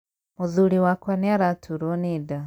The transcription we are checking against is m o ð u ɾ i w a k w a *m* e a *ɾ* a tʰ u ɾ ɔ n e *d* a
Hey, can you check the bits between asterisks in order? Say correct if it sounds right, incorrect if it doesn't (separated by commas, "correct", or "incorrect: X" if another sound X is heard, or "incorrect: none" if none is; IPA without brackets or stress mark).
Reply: incorrect: n, correct, correct